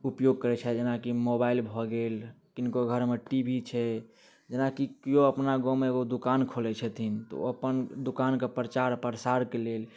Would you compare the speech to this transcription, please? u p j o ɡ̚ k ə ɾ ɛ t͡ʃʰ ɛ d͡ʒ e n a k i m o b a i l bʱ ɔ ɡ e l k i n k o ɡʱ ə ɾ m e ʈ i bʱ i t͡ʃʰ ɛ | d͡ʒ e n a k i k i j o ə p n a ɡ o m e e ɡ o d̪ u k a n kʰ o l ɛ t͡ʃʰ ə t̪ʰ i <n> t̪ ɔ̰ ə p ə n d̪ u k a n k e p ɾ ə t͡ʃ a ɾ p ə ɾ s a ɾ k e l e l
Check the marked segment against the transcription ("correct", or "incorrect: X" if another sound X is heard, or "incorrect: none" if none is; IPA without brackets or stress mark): correct